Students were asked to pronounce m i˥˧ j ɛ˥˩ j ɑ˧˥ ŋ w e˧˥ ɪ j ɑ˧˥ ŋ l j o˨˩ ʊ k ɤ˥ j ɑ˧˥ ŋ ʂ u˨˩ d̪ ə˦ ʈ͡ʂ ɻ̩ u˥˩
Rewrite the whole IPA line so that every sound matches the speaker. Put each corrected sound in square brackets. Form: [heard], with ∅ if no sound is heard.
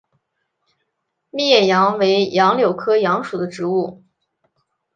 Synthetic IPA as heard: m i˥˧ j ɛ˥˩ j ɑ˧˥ ŋ w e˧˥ ɪ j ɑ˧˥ ŋ l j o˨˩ ʊ [kʰ] ɤ˥ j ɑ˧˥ ŋ ʂ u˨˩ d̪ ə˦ ʈ͡ʂ ɻ̩ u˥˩